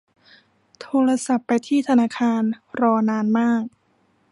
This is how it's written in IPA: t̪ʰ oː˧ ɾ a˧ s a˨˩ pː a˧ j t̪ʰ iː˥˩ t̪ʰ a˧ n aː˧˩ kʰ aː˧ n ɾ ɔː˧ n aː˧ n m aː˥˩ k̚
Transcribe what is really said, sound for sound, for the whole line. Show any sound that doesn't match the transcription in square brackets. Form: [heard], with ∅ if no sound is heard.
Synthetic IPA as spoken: t̪ʰ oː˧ ɾ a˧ s a˨˩ pː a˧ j t̪ʰ iː˥˩ t̪ʰ a˧ n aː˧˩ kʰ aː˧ n ɾ ɔː˧ n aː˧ n m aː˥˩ k̚